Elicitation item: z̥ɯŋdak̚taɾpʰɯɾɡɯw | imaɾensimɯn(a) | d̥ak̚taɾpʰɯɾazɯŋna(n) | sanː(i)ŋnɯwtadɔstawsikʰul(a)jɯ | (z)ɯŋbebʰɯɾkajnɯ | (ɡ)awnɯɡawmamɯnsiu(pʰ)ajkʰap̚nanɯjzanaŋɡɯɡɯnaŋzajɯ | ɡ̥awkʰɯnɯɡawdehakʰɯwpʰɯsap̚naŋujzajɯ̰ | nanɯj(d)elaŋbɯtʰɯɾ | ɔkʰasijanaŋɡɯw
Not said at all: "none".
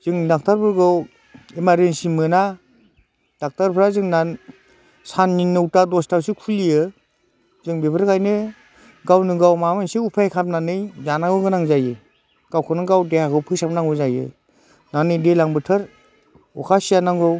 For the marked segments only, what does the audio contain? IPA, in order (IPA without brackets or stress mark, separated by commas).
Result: a, n, i, i, z, ɡ, pʰ, d